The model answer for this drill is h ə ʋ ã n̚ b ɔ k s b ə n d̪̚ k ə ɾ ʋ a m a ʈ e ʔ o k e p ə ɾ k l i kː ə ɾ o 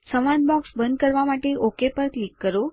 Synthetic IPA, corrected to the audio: s ə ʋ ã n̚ b ɔ k s b ə n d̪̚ k ə ɾ ʋ a m a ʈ e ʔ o k e p ə ɾ k l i kː ə ɾ o